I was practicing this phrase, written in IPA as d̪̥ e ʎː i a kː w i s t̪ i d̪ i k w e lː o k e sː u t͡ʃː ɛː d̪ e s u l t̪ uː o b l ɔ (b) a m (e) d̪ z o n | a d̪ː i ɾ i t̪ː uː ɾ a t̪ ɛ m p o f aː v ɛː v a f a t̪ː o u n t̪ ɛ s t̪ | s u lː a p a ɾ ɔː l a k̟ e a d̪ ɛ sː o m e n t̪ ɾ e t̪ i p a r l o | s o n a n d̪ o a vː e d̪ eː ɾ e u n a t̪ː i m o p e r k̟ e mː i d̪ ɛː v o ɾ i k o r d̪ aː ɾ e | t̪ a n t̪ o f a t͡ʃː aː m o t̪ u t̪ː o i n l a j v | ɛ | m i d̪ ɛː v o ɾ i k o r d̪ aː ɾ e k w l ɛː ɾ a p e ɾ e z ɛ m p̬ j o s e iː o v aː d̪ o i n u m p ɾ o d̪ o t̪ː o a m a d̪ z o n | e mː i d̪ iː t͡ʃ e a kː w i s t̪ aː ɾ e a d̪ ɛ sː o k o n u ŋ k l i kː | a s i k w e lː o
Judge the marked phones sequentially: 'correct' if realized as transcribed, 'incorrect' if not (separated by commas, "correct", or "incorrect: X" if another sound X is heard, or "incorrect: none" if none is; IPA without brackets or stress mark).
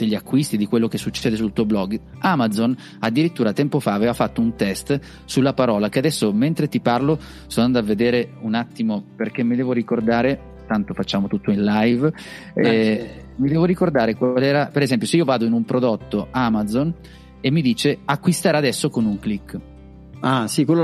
incorrect: ɡ, incorrect: a